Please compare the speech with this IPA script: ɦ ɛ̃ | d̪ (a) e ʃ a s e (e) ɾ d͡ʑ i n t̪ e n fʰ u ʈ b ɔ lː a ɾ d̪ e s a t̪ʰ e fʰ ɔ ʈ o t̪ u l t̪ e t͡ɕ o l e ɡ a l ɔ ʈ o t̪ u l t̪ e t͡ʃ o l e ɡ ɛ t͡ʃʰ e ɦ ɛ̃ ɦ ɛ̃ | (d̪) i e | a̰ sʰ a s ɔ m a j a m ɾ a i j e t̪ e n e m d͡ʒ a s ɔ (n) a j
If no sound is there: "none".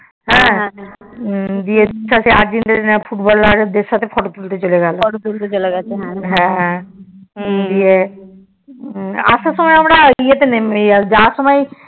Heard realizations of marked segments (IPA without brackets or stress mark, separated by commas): i, a, d̪, m